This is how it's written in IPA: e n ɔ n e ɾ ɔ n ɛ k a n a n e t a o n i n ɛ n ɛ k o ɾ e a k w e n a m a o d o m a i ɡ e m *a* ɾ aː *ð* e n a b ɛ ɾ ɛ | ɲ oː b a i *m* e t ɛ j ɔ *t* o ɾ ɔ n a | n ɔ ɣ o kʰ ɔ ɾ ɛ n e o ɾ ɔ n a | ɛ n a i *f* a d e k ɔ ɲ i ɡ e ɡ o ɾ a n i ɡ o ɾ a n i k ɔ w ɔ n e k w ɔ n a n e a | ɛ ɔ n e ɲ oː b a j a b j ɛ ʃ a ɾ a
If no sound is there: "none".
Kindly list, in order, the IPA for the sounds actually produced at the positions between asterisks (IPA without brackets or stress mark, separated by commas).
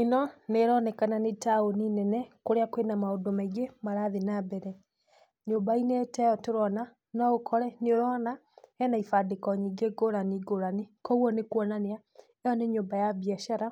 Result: a, ð, n, t, f